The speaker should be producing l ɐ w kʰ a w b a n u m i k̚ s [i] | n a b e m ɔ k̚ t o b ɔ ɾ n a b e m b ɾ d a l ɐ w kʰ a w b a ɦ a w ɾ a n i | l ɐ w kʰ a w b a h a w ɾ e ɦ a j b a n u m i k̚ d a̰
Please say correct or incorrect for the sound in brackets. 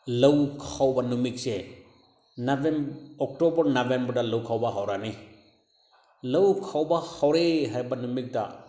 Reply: incorrect